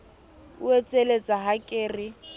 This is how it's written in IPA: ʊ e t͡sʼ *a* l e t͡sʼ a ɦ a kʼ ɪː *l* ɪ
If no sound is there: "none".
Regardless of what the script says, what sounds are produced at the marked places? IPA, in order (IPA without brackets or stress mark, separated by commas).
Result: e, r